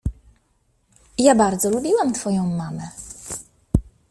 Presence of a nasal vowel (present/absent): present